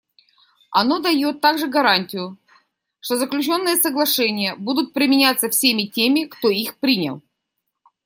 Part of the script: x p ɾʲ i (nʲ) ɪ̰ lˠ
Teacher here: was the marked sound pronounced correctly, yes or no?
yes